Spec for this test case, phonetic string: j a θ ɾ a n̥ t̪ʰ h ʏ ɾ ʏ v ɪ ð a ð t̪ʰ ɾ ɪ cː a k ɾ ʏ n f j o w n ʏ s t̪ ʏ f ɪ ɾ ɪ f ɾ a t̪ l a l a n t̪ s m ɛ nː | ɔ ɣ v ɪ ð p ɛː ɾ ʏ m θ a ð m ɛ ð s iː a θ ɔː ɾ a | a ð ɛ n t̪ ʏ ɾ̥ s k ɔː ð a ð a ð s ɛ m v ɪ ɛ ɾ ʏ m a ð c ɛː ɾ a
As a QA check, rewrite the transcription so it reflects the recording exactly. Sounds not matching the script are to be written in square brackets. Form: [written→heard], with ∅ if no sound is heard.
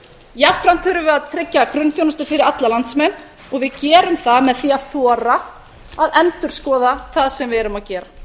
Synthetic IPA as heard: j a [θ→f] ɾ a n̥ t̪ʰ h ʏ ɾ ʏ v ɪ ð a ð t̪ʰ ɾ ɪ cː a k ɾ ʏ n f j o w n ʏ s t̪ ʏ f ɪ ɾ ɪ [f→∅] ɾ a t̪ l a l a n t̪ s m ɛ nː | ɔ ɣ v ɪ ð [p→c] ɛː ɾ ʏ m θ a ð m ɛ ð [s→θ] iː a θ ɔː ɾ a | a ð ɛ n t̪ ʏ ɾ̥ s k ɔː ð a [ð→θ] a ð s ɛ m v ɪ ɛ ɾ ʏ m a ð c ɛː ɾ a